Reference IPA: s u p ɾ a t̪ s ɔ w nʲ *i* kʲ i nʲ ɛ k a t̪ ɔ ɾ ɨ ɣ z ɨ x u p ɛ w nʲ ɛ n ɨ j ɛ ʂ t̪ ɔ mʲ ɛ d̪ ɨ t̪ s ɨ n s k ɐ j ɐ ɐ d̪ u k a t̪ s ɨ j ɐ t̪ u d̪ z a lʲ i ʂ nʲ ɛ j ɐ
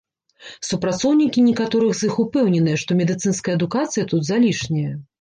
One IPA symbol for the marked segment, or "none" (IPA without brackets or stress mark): i